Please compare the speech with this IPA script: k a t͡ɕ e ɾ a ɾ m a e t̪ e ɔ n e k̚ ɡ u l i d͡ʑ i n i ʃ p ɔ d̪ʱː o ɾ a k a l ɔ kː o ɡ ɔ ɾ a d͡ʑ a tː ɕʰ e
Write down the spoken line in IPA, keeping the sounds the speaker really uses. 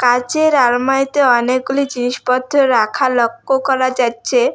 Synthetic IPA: k a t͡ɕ e ɾ a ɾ m a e t̪ e ɔ n e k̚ ɡ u l i d͡ʑ i n i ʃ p ɔ d̪ʱː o ɾ a kʰ a l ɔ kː o k ɔ ɾ a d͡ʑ a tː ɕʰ e